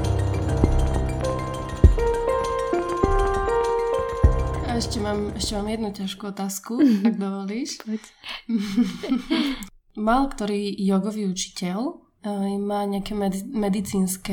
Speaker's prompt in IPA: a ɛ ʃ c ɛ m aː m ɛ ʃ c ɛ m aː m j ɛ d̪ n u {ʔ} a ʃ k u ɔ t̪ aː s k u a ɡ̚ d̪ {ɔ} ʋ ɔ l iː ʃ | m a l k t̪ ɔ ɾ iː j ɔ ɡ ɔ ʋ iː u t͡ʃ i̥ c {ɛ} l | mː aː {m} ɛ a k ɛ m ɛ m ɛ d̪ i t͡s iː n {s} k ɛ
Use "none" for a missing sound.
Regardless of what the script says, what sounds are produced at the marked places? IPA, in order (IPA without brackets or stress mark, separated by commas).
c, ɔ, ɛ, ɲ, s